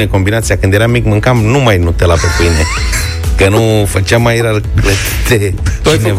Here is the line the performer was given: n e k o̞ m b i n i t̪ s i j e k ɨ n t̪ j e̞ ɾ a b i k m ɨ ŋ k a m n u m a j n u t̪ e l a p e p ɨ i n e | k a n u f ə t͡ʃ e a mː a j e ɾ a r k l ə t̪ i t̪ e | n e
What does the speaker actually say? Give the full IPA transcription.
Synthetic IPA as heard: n e k o̞ m b i n a t̪ s i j a k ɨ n d̪ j e̞ ɾ a m i k m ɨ ŋ k a m n u m a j n u t̪ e l a p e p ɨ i n e | k ə n u f ə t͡ʃ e a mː a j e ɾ a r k l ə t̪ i t̪ e | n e